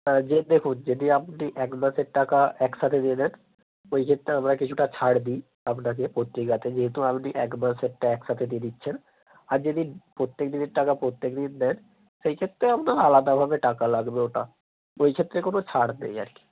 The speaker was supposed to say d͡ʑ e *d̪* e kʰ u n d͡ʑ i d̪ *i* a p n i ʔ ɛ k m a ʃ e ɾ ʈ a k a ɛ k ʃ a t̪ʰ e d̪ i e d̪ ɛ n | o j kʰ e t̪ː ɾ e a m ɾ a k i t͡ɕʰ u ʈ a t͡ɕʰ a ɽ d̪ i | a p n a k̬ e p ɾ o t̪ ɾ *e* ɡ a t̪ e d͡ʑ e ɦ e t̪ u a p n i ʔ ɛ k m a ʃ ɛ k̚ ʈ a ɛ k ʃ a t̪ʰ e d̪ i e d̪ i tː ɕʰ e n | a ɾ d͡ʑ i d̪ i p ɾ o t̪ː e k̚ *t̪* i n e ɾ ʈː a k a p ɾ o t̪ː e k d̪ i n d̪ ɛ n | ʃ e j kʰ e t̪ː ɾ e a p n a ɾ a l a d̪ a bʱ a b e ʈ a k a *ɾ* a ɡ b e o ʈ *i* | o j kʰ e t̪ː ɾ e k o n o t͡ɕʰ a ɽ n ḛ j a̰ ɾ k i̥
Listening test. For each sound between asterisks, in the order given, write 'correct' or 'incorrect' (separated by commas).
correct, correct, incorrect, incorrect, incorrect, incorrect